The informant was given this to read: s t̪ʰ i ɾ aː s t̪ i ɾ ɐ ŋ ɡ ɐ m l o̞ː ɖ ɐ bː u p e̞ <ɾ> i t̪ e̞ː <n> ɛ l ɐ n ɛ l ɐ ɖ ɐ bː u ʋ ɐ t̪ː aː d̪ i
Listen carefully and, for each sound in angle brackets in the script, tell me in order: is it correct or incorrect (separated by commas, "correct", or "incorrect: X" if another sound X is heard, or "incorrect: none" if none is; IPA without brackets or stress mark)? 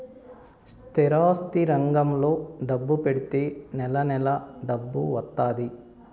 incorrect: ɽ, correct